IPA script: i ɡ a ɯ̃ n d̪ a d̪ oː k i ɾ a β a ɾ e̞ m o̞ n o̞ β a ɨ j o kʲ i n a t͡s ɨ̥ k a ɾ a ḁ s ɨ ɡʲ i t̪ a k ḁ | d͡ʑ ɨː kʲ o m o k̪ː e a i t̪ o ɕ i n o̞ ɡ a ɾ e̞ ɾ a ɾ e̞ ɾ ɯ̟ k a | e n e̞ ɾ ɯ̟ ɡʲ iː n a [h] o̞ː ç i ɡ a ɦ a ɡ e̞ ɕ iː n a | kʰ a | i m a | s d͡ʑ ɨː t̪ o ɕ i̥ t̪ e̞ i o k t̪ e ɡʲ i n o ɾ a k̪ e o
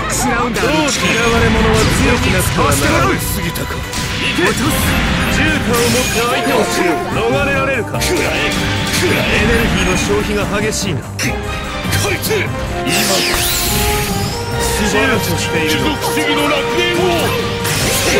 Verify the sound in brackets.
incorrect: ɕ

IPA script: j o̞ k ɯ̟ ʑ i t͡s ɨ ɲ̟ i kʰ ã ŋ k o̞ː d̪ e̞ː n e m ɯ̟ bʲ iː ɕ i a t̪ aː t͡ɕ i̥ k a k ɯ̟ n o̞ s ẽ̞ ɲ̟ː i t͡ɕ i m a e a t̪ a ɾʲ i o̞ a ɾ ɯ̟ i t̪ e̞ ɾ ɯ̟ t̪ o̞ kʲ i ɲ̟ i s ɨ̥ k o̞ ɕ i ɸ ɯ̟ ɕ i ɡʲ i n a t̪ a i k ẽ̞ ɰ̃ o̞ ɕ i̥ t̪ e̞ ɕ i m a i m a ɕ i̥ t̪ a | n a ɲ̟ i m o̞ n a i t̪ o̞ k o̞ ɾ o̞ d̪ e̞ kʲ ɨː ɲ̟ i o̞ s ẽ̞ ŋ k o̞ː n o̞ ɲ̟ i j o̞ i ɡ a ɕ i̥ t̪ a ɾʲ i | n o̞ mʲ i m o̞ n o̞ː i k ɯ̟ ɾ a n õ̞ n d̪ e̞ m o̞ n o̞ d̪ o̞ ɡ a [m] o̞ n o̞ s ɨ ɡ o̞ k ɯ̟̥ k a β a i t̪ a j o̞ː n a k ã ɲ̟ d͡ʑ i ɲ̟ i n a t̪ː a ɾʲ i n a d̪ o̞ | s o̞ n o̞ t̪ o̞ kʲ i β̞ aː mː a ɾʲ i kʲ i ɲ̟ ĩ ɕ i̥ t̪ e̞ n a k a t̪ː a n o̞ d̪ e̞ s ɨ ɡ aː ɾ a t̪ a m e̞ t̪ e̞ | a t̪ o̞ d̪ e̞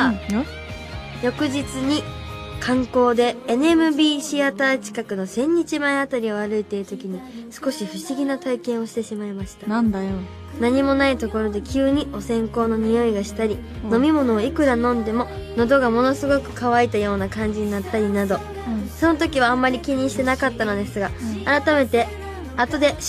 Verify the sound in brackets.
correct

